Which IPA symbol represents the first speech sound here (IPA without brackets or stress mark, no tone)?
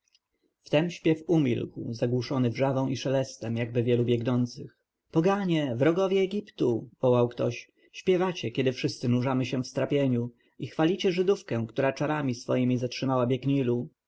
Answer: f